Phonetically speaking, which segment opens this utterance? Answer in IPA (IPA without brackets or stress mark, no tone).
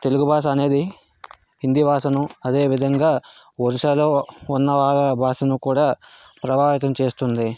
t̪